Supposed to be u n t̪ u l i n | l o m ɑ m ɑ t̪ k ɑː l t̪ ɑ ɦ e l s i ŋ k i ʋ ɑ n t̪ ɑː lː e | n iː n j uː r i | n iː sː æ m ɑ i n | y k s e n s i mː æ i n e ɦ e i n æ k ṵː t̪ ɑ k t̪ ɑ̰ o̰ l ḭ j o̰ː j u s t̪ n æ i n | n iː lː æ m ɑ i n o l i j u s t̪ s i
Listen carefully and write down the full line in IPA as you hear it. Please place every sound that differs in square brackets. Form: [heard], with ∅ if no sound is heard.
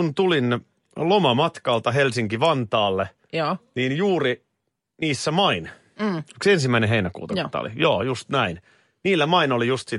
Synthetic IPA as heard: u n t̪ u l i n | l o m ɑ m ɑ t̪ k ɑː l t̪ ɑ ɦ e l s i ŋ k i ʋ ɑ n t̪ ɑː lː e | n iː n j uː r i | n iː sː æ m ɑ i n | y k s e n s i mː æ i n e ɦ e i n æ k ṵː t̪ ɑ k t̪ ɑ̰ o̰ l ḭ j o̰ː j u s t̪ n æ i n | n iː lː æ m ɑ i n o l i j u s t̪ s i